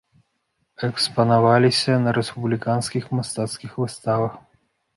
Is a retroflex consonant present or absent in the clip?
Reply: absent